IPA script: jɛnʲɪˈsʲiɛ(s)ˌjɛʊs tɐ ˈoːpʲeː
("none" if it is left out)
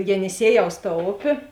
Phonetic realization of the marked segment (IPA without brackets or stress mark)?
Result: none